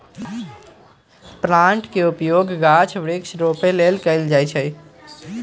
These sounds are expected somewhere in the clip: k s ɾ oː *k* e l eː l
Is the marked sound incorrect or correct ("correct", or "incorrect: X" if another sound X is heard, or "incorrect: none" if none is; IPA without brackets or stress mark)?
incorrect: p